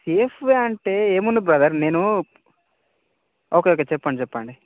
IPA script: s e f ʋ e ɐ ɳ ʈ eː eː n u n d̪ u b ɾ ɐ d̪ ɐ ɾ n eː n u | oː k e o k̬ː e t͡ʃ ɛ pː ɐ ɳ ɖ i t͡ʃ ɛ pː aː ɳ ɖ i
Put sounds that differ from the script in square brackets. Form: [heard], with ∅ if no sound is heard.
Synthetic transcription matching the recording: s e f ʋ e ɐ ɳ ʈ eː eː [m] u n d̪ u b ɾ ɐ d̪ ɐ ɾ n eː n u | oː k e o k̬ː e t͡ʃ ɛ pː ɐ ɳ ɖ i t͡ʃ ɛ pː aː ɳ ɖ i